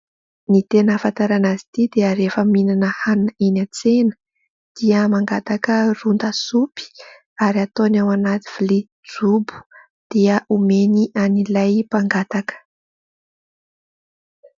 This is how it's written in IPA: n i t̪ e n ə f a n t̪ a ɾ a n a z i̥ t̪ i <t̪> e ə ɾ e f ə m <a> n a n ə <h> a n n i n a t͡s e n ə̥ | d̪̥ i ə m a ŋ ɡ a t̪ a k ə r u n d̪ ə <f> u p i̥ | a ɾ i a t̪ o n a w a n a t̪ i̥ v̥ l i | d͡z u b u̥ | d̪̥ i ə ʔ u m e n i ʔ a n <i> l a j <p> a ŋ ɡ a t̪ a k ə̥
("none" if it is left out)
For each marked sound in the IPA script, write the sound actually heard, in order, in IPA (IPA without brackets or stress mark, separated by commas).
d̪, i, h, s, i, p